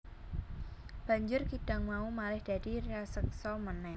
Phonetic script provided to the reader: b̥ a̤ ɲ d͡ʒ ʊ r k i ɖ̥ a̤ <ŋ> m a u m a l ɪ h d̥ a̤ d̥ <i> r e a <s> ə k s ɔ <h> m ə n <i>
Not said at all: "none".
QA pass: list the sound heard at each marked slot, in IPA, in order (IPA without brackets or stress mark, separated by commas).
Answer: ŋ, i, s, none, ɛ